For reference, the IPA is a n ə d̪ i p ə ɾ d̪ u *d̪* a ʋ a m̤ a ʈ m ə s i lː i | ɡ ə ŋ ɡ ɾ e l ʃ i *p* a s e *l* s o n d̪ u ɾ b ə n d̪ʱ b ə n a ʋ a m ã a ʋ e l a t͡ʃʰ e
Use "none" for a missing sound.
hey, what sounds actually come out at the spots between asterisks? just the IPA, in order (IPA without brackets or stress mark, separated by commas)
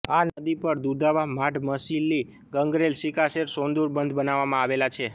d̪, k, ɾ